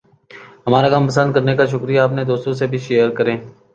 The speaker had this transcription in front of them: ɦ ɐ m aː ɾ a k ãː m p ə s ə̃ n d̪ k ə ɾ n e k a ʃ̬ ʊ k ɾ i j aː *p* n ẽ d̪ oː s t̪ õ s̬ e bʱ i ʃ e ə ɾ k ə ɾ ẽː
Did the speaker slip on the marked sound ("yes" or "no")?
no